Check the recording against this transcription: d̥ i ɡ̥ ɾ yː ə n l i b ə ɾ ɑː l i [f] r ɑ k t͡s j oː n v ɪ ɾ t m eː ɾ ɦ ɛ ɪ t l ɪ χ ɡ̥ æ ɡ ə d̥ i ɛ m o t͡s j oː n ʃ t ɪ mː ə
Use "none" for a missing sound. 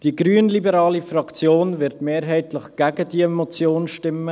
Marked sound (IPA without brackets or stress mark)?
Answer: f